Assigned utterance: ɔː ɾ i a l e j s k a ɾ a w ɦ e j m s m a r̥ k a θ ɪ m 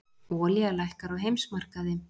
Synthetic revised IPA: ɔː l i a l a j h k a ɾ a w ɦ e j m s m a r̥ k a ð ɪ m